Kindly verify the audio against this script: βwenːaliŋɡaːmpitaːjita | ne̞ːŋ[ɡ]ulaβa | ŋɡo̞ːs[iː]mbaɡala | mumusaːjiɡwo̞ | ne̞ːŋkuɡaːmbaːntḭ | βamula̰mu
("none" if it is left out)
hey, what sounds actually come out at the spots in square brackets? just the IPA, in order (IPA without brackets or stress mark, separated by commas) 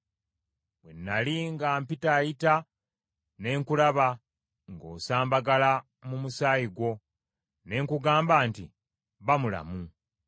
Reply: k, aː